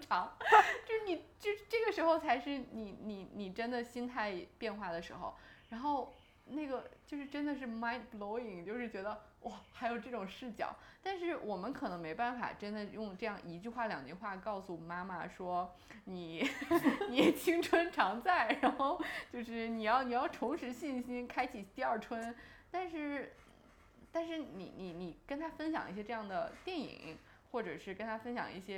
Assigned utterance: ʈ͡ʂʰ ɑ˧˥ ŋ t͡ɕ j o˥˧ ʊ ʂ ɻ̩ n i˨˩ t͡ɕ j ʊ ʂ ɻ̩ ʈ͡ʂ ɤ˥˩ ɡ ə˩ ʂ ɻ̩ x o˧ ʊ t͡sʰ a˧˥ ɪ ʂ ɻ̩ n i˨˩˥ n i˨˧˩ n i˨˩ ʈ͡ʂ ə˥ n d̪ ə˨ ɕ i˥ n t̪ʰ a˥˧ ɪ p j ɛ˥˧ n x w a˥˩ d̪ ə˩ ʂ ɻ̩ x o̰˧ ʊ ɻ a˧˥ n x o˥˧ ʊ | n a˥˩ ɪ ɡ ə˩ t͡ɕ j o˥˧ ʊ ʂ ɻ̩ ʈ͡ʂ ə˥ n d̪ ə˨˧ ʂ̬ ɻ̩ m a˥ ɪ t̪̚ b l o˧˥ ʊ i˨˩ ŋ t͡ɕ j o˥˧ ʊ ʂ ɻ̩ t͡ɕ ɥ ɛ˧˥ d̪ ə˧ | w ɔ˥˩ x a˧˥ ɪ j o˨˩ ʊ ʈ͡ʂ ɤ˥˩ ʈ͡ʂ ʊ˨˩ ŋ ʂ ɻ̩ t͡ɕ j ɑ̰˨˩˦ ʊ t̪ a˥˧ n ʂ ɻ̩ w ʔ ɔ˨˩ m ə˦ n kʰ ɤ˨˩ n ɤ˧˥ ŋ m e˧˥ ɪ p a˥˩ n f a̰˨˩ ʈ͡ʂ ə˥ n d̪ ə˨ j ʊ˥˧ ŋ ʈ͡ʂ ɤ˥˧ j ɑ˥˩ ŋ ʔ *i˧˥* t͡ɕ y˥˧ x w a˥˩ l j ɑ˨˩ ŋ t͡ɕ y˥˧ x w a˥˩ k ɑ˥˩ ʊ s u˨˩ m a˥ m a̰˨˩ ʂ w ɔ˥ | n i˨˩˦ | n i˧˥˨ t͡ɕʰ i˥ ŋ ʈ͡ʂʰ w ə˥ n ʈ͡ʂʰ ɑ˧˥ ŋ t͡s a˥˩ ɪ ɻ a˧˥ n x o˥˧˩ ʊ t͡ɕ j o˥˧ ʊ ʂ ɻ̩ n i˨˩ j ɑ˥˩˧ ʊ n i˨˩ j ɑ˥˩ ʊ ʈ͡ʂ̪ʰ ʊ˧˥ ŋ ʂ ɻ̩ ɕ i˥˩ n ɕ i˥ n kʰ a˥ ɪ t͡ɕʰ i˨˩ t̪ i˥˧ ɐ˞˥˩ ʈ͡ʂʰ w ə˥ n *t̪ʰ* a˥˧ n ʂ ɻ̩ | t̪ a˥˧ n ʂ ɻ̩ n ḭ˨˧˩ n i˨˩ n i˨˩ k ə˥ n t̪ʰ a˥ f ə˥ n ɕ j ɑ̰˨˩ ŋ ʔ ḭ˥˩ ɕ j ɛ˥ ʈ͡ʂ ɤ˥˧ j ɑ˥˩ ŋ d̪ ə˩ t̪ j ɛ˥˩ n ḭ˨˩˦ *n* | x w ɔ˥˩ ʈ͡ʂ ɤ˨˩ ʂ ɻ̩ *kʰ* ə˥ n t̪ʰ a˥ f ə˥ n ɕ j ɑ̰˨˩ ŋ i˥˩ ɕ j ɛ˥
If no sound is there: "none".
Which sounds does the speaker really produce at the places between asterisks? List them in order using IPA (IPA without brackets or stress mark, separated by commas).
i˧˥, t̪, ŋ, k